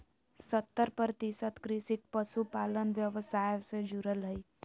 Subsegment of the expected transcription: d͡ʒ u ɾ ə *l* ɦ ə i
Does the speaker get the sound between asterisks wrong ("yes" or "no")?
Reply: no